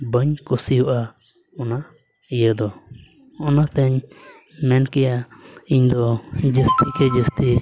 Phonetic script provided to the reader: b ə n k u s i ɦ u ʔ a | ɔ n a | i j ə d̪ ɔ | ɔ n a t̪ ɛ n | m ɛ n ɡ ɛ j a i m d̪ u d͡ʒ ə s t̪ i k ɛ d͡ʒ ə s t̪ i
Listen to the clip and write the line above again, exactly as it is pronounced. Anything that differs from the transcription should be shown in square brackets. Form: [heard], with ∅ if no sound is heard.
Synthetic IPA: b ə [ɲ] k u s i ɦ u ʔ a | ɔ n a | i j ə d̪ ɔ | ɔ n a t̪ ɛ [ɲ] | m ɛ n [k] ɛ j a i [ɲ] d̪ [ɔ] d͡ʒ ə s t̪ i k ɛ d͡ʒ ə s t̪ i